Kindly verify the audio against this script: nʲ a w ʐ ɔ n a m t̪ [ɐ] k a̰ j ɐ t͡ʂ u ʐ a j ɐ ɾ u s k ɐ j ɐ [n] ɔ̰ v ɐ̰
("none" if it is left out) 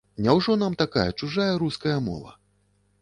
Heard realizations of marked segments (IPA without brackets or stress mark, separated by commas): a, m